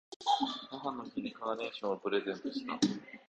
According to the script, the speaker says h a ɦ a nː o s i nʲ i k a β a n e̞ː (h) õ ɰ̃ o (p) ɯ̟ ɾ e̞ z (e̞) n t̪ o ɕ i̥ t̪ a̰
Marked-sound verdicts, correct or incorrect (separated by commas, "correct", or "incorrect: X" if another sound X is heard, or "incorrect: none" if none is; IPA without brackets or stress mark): incorrect: ɕ, correct, incorrect: ẽ̞